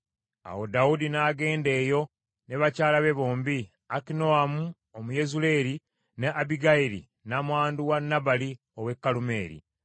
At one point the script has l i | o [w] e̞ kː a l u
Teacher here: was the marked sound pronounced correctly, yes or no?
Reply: yes